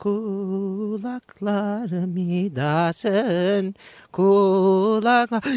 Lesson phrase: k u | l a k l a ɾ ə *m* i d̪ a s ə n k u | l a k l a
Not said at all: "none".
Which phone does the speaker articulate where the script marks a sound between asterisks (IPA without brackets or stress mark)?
m